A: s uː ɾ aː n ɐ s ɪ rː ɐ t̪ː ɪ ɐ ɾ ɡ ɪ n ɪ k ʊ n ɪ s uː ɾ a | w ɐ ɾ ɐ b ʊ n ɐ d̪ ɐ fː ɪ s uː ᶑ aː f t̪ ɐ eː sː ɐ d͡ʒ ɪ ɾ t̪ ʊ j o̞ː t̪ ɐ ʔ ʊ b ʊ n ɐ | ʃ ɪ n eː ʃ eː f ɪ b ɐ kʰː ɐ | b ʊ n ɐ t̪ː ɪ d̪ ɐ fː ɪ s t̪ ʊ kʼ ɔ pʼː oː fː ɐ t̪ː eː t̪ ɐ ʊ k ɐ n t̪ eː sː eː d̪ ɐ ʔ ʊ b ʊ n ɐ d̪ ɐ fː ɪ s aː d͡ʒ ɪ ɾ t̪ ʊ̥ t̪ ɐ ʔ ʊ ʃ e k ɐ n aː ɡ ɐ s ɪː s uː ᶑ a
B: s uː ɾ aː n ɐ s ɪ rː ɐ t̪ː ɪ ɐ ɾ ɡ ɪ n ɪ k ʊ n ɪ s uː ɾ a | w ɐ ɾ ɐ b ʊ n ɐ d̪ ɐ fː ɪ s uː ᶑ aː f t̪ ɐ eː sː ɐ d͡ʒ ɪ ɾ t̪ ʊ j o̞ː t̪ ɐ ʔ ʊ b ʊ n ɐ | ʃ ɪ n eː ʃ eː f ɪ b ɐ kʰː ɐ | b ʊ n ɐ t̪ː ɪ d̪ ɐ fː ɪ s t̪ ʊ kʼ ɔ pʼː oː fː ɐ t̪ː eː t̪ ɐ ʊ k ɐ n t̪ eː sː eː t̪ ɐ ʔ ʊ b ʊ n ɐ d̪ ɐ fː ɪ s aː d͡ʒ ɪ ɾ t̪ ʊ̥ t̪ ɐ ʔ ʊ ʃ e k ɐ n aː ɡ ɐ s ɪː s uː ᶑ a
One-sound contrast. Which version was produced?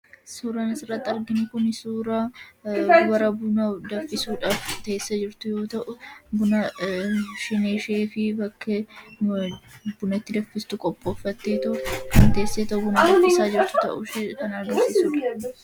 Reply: B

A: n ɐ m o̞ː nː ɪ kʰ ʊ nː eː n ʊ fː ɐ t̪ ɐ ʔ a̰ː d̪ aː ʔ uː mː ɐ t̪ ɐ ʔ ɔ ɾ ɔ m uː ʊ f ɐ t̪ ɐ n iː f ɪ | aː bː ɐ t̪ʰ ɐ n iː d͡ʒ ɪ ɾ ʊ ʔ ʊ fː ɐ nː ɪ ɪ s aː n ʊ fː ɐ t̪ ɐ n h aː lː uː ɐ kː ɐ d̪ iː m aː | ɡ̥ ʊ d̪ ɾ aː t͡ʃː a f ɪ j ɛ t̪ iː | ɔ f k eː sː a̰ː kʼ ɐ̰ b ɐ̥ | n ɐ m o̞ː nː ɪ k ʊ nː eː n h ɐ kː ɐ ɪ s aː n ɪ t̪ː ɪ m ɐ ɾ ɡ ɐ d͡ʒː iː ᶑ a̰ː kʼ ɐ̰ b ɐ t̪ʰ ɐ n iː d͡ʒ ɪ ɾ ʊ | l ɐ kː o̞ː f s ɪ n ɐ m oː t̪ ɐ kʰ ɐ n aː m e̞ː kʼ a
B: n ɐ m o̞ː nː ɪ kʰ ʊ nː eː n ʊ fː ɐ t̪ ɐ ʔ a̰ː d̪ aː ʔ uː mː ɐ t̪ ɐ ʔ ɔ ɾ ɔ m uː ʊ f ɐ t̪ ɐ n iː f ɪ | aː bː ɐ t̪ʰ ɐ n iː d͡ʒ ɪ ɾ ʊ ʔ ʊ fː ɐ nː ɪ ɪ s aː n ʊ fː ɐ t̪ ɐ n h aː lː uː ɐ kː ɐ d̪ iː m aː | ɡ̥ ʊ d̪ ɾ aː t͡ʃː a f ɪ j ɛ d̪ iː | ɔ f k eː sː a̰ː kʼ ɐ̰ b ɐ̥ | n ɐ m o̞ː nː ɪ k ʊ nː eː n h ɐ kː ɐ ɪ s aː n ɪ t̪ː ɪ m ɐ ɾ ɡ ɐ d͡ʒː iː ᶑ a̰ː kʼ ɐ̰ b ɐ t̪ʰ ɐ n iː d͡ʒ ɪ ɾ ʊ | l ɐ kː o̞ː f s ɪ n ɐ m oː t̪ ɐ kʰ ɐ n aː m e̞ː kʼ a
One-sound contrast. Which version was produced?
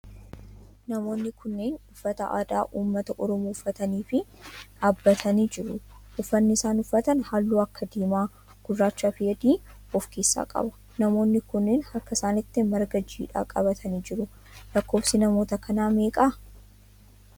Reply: B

